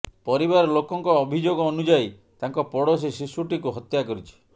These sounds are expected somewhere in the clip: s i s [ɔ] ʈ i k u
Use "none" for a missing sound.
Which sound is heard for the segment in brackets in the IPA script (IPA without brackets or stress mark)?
u